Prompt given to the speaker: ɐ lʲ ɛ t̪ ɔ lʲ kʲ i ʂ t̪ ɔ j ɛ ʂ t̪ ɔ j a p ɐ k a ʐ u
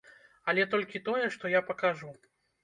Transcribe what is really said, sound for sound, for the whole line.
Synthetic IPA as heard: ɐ lʲ ɛ t̪ ɔ lʲ kʲ i t̪ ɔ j ɛ ʂ t̪ ɔ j a p ɐ k a ʐ u